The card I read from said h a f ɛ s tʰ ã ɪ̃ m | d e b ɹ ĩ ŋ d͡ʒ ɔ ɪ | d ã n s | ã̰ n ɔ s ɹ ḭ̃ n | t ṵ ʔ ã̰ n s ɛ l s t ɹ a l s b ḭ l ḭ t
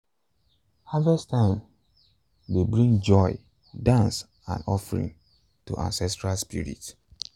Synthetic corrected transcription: h a v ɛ s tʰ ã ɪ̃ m | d e b ɹ ĩ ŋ d͡ʒ ɔ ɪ | d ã n s | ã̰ n ɔ f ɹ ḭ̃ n | t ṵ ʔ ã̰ n s ɛ s t ɹ a l s p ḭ ɹ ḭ t